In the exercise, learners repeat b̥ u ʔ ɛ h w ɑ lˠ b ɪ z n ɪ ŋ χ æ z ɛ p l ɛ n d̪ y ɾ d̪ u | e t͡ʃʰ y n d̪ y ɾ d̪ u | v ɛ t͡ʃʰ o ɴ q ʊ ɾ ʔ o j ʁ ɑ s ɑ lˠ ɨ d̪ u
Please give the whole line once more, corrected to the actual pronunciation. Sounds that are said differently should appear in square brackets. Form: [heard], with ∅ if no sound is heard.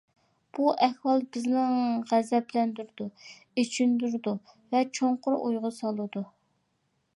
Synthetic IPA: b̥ u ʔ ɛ h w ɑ lˠ b ɪ z n ɪ ŋ [ʁ] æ z ɛ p l ɛ n d̪ y ɾ d̪ u | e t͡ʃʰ y n d̪ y ɾ d̪ u | v ɛ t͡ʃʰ o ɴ q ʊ ɾ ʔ o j ʁ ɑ s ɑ lˠ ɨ d̪ u